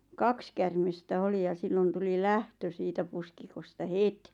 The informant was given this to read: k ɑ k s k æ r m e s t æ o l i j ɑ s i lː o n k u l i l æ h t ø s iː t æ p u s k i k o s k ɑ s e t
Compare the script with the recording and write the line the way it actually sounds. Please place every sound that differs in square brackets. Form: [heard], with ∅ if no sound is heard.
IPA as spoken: k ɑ k s k æ r m e s t æ o l i j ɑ s i lː o n [t] u l i l æ h t ø s iː t æ p u s k i k o s [t] ɑ [h] e t